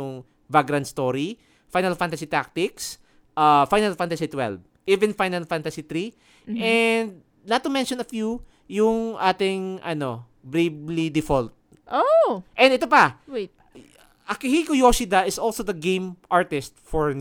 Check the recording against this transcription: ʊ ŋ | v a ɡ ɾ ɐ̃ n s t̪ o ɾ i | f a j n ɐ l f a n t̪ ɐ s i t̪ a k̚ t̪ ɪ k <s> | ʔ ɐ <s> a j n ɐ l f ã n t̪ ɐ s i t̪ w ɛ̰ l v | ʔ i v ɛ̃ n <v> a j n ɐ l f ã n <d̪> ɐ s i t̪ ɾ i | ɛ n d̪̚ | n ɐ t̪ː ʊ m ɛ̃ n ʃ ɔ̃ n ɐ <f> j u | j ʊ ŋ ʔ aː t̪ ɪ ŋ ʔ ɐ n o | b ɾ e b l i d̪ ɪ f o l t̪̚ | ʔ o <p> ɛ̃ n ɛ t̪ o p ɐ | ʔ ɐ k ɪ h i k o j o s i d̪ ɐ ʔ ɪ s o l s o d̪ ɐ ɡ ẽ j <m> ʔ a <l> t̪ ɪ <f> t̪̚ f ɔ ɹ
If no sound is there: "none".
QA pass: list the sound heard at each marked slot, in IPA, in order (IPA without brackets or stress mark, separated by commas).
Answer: s, f, f, t̪, f, ʔ, m, ɹ, s